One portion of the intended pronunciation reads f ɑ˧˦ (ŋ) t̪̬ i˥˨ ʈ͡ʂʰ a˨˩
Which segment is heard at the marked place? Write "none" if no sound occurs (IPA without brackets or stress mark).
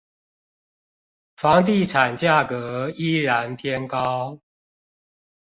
ŋ